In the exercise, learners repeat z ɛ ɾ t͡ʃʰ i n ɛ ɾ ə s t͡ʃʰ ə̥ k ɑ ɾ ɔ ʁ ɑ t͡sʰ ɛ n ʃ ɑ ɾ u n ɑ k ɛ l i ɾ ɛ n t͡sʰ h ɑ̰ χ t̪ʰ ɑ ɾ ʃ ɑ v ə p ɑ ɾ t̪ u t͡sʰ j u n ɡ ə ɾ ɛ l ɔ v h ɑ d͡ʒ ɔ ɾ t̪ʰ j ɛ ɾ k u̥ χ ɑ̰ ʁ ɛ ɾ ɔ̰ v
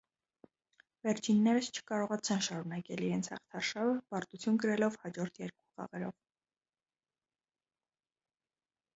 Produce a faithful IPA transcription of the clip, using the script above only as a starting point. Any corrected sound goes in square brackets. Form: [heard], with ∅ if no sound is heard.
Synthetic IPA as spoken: [v] ɛ ɾ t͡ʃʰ i [nː] ɛ ɾ ə s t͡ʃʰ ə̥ k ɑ ɾ ɔ ʁ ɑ t͡sʰ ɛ n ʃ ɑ ɾ u n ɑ k ɛ l i ɾ ɛ n t͡sʰ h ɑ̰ χ t̪ʰ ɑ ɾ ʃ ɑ v ə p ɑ ɾ t̪ u t͡sʰ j u n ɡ ə ɾ ɛ l ɔ v h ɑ d͡ʒ ɔ ɾ t̪ʰ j ɛ ɾ k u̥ χ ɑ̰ ʁ ɛ ɾ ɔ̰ v